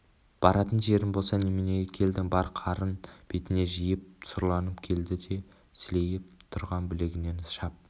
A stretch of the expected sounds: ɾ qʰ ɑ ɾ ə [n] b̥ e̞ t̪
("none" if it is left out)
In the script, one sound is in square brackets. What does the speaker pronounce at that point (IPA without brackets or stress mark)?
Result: n